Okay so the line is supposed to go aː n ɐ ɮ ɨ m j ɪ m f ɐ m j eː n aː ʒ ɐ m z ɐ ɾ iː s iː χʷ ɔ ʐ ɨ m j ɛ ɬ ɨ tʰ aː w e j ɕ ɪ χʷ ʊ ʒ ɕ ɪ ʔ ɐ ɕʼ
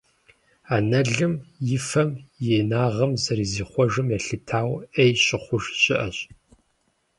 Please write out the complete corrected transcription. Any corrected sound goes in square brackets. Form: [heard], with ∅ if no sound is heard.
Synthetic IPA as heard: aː n ɐ ɮ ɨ m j ɪ [∅] f ɐ m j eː n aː [ʁ] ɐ m z ɐ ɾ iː [z] iː χʷ ɔ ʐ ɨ m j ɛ ɬ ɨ tʰ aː w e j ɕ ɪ χʷ ʊ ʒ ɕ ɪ ʔ ɐ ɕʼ